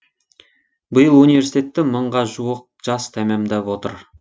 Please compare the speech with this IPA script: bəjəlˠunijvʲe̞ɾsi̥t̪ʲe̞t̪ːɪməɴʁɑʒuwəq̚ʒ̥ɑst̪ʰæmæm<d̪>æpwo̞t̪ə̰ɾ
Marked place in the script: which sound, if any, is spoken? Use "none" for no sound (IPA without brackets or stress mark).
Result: d̪